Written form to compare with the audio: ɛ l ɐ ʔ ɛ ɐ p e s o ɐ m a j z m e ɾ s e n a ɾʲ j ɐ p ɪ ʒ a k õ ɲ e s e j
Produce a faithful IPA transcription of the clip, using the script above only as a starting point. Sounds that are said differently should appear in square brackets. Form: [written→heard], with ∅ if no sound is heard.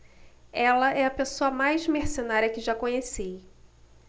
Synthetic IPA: ɛ l ɐ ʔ ɛ ɐ p e s o ɐ m a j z m e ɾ s e n a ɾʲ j ɐ [p→k] ɪ ʒ a k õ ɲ e s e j